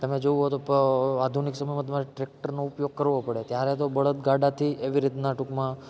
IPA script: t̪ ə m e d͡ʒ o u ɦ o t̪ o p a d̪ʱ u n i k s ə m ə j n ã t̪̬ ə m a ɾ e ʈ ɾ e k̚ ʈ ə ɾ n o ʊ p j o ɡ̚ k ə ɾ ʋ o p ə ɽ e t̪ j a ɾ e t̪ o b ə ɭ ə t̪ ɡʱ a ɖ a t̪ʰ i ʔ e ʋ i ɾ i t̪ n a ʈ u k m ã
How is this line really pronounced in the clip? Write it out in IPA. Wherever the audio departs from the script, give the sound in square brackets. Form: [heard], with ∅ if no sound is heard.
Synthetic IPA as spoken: t̪ ə m e d͡ʒ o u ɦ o t̪ o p a d̪ʱ u n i k s ə m ə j [m] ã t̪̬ ə m a ɾ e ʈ ɾ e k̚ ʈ ə ɾ n o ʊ p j o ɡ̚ k ə ɾ ʋ o p ə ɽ e t̪ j a ɾ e t̪ o b ə ɭ ə t̪ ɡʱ a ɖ a t̪ʰ i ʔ e ʋ i ɾ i t̪ n a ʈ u k m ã